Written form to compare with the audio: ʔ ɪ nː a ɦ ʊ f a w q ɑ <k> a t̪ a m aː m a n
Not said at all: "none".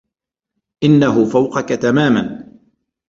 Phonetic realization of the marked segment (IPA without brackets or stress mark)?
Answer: k